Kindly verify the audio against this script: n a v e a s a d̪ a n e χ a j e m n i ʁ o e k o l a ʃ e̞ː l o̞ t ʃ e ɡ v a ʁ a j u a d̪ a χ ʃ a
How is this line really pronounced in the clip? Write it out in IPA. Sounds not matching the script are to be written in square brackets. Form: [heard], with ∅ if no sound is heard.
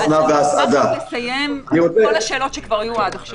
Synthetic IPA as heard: n a v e a s a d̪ a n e [s] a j e m n i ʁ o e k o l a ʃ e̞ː l o̞ t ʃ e [k] v a ʁ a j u a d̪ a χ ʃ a

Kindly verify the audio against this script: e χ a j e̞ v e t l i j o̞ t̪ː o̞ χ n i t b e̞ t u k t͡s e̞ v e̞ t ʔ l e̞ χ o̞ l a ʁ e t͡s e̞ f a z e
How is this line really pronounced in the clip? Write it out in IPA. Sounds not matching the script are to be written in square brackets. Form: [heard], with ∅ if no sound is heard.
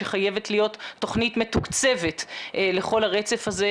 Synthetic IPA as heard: e χ a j e̞ v e t l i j o̞ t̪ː o̞ χ n i t [m] e̞ t u k t͡s e̞ v e̞ t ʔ l e̞ χ o̞ l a ʁ e t͡s e̞ f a z e

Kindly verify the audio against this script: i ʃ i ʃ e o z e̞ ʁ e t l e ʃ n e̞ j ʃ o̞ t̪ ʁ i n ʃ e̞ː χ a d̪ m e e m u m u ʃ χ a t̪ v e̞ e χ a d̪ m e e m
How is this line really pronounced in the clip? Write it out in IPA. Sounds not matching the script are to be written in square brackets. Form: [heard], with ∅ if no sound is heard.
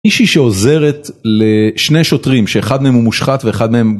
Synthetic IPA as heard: i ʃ i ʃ e o z e̞ ʁ e t l e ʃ n e̞ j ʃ o̞ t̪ ʁ i [m] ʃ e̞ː χ a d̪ m e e m u m u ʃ χ a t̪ v e̞ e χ a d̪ m e e m

